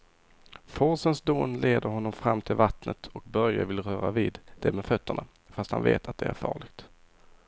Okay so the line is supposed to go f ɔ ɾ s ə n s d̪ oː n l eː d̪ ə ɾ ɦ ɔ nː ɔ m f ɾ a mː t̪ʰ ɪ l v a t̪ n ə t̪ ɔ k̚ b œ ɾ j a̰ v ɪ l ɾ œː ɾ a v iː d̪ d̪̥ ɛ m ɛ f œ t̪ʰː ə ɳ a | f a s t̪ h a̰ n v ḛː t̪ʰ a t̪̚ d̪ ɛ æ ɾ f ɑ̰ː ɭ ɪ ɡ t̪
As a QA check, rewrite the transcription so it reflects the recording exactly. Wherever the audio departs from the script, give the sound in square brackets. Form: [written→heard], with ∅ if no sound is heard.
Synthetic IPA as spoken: f ɔ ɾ s ə n s d̪ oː n l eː d̪ ə ɾ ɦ ɔ nː ɔ m f ɾ a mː t̪ʰ ɪ l v a t̪ n ə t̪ ɔ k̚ b œ ɾ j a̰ v ɪ l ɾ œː ɾ a v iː d̪ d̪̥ ɛ m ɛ f œ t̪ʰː ə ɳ a | f a s t̪ h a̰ n v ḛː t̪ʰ a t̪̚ d̪ ɛ æ ɾ f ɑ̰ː ɭ ɪ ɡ t̪